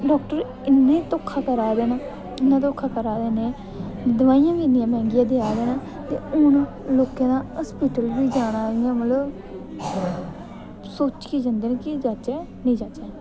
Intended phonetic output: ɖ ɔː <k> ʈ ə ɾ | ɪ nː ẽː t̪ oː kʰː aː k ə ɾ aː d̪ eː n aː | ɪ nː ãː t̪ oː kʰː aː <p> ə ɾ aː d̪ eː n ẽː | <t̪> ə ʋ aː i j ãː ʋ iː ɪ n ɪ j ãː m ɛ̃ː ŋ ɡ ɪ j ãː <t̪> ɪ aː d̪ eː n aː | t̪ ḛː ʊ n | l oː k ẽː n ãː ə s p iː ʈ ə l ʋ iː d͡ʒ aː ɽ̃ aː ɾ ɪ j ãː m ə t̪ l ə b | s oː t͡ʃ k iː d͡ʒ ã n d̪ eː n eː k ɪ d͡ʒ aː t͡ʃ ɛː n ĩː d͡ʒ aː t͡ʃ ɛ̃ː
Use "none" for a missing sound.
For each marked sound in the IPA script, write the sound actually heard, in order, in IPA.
k, k, d̪, d̪

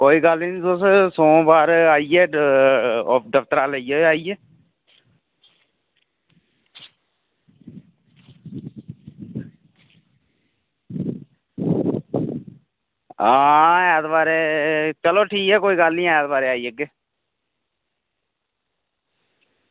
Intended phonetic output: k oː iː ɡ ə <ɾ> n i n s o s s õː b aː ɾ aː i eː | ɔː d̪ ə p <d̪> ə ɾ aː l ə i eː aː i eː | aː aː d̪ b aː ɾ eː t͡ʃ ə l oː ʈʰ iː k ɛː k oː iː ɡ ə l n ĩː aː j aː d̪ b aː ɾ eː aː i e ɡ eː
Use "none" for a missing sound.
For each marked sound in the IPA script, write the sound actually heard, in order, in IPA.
l, t̪

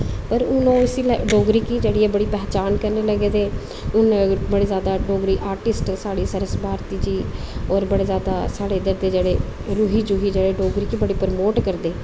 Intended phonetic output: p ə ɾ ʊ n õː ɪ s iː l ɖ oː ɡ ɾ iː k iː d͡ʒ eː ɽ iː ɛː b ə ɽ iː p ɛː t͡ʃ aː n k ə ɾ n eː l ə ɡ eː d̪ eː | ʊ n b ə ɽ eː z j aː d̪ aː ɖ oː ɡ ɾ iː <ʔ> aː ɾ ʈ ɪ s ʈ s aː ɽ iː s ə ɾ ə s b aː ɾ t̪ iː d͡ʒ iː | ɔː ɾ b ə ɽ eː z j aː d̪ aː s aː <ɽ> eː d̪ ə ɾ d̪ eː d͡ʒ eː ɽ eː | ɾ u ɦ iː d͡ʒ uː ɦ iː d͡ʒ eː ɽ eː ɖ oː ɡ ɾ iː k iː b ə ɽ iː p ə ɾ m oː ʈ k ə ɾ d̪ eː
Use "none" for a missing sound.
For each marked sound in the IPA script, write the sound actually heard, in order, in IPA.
ʔ, ɽ

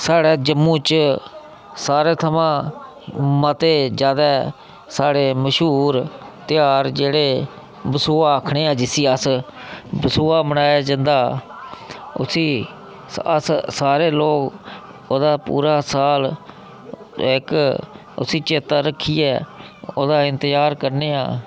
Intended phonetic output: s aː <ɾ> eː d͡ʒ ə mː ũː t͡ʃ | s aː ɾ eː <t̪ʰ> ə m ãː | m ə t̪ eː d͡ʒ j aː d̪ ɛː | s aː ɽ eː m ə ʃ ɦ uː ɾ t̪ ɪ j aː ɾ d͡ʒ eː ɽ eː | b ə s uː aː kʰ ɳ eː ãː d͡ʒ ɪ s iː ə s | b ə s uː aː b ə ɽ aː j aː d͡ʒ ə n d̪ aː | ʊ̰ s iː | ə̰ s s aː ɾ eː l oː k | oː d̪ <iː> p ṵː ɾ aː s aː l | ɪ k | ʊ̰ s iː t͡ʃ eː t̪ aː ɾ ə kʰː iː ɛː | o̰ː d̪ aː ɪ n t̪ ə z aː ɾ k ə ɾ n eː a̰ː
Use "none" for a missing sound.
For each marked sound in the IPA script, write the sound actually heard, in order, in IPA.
ɽ, t̪ʰ, aː

